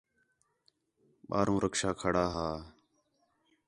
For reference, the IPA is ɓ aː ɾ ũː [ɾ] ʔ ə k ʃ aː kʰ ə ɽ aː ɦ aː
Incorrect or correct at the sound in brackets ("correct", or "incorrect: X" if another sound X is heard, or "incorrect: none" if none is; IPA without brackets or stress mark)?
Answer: correct